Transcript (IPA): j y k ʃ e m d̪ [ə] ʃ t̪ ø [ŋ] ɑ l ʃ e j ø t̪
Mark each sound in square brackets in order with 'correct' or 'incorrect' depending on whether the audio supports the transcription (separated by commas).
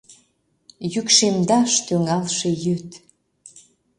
incorrect, correct